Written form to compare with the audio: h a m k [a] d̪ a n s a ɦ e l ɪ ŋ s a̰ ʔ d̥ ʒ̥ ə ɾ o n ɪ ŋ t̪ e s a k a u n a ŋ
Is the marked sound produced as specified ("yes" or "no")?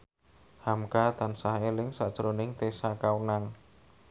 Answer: yes